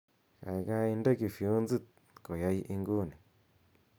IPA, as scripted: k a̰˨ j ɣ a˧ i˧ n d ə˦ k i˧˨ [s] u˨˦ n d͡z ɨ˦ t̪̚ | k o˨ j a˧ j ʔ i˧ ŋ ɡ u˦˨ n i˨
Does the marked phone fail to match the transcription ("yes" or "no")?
yes